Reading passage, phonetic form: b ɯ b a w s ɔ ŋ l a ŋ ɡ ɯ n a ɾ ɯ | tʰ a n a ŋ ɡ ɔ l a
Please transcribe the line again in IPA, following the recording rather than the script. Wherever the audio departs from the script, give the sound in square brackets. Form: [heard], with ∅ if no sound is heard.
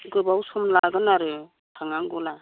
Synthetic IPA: [ɡ] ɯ b a w s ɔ [m] l a [∅] ɡ ɯ n a ɾ ɯ | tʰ a [ŋ] a ŋ ɡ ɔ l a